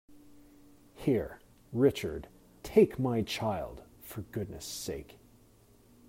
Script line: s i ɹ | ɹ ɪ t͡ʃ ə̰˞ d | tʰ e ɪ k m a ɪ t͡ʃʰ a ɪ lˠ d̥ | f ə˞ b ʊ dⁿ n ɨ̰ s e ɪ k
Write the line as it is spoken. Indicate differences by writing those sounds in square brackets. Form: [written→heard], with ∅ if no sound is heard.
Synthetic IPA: [s→h] i ɹ | ɹ ɪ t͡ʃ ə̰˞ d | tʰ e ɪ k m a ɪ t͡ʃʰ a ɪ lˠ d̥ | f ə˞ [b→ɡ] ʊ dⁿ n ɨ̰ s e ɪ k